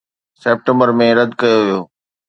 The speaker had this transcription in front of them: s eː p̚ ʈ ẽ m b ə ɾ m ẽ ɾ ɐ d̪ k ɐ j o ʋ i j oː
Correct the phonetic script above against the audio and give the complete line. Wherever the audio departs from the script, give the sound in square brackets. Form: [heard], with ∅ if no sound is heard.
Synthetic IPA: s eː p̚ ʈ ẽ m b ə ɾ m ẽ ɾ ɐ d̪ k ɐ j o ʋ i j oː